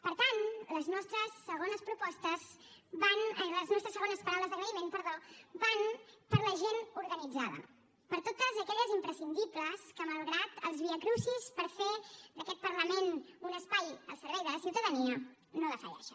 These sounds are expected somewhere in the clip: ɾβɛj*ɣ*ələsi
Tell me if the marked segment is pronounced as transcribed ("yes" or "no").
no